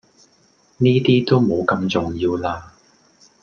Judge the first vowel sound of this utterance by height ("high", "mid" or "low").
high